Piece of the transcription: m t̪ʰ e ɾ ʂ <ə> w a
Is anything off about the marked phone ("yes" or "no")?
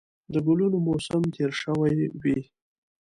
no